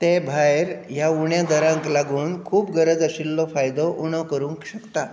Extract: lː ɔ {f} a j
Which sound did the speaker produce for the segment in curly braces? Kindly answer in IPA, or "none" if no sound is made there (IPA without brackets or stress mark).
f